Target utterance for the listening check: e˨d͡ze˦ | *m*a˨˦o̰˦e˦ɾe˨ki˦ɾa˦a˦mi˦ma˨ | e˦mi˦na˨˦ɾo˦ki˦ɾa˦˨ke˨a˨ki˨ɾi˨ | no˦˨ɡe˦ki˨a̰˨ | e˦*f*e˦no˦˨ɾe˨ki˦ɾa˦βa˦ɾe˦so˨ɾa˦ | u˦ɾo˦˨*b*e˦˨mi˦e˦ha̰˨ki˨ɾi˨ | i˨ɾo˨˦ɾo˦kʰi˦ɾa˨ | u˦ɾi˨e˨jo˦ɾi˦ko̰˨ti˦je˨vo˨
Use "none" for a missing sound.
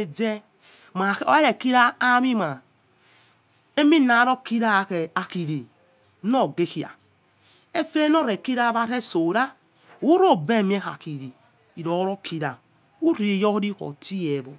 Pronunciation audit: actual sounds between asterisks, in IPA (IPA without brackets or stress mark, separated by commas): m, f, b